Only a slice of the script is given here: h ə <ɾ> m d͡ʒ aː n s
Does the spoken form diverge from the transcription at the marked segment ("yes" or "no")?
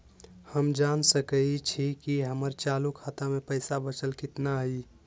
yes